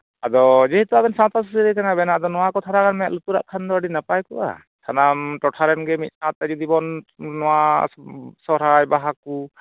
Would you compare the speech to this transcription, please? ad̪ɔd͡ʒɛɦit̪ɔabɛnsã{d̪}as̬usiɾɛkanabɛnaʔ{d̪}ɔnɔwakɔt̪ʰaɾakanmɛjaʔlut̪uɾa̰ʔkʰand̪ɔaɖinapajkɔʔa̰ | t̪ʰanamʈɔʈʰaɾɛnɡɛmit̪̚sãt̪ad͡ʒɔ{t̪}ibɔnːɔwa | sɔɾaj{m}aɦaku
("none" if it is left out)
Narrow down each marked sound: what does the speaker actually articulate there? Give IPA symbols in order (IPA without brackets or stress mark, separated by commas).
t̪, d̪, d̪, b